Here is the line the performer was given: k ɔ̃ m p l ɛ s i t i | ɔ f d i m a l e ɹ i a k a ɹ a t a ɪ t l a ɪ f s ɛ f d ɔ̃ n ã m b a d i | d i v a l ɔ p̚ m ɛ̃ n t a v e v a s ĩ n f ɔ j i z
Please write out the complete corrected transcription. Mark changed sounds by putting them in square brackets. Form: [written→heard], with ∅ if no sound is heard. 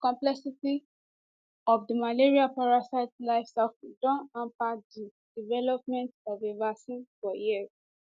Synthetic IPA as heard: k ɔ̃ m p l ɛ s i t i | ɔ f d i m a l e ɹ i a [k→p] a ɹ a [t→s] a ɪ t l a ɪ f s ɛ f d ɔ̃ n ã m [b→p] a d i | d i v [a→ɛ] l ɔ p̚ m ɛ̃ n t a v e v a s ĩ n f ɔ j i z

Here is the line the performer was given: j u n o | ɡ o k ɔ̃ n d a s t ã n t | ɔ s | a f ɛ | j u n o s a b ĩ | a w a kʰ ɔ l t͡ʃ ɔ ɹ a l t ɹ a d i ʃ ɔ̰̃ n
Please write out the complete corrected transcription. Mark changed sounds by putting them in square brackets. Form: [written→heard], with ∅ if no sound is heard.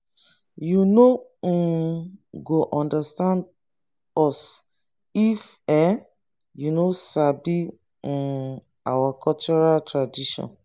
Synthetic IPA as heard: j u n o | ɡ o [k→ʔ] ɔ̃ n d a s t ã n [t→d] | ɔ s | [a→i] f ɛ | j u n o s a b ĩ | a w a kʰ ɔ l t͡ʃ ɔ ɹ a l t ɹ a d i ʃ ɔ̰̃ n

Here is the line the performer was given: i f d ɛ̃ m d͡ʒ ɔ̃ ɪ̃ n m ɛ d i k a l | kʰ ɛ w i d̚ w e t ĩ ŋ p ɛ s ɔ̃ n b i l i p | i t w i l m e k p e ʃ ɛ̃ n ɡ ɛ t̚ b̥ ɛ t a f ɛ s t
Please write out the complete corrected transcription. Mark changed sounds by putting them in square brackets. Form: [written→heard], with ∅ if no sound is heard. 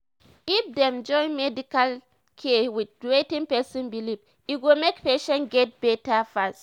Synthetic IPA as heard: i f d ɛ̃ m d͡ʒ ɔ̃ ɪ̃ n m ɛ d i k a l | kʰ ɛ w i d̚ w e t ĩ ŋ p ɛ s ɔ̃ n b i l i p | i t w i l m e k p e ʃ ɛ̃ n ɡ ɛ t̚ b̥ ɛ t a f [ɛ→a] s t

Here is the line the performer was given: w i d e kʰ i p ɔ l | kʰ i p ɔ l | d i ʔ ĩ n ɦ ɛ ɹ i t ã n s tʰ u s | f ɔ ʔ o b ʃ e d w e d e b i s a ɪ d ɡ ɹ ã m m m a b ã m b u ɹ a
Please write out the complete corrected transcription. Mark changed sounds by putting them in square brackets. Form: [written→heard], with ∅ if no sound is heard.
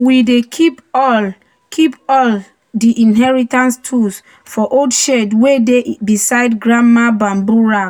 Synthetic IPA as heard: w i d e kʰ i p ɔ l | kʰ i p ɔ l | d i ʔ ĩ n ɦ ɛ ɹ i t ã n s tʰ u s | f ɔ ʔ o [b→d] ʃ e d w e d e b i s a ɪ d ɡ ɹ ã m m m a b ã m b u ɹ a

